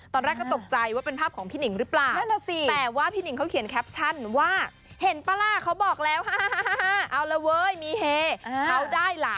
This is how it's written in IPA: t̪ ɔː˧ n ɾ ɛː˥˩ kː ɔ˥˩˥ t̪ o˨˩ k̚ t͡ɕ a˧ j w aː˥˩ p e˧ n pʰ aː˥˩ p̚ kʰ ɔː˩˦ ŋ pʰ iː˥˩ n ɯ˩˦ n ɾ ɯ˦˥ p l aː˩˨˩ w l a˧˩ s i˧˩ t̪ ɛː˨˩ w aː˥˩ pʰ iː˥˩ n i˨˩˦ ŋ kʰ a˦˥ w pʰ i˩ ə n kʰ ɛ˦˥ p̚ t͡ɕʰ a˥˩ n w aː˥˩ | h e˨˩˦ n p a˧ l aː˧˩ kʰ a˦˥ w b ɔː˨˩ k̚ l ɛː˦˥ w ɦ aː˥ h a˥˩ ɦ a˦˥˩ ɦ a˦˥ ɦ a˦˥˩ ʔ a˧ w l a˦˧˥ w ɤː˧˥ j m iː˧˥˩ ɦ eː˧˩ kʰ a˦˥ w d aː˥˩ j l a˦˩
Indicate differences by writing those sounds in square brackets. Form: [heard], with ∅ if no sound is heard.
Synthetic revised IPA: t̪ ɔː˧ n ɾ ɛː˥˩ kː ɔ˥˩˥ t̪ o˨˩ k̚ t͡ɕ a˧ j w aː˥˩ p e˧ n pʰ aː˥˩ p̚ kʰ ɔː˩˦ ŋ pʰ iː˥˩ n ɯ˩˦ [ŋ] ɾ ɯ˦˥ p l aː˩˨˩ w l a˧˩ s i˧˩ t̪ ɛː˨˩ w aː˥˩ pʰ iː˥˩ n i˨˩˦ ŋ kʰ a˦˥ w [kʰ] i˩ ə n kʰ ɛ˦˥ p̚ t͡ɕʰ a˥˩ n w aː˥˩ | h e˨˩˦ n p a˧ l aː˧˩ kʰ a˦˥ w b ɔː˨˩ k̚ l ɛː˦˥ w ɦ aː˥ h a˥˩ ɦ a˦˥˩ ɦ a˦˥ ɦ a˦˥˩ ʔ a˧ w l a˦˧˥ w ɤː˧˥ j m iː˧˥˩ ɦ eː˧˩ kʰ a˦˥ w d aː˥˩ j l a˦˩